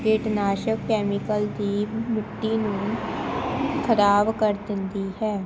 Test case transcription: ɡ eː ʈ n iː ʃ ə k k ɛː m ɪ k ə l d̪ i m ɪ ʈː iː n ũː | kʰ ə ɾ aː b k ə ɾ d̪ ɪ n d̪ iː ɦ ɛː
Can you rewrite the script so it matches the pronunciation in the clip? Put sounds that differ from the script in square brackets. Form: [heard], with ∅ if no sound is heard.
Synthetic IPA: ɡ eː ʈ n [aː] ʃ ə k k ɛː m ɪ k ə l d̪ [iː] m ɪ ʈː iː n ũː | kʰ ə ɾ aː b k ə ɾ d̪ ɪ n d̪ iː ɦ ɛː